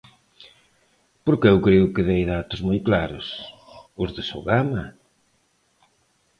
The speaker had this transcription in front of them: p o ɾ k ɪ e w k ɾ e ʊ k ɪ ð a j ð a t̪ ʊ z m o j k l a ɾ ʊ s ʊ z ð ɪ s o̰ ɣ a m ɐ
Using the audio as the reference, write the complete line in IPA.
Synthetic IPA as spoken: p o ɾ k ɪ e w k ɾ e ʊ k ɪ ð e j ð a t̪ ʊ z m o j k l a ɾ ʊ s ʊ z ð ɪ s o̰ ɣ a m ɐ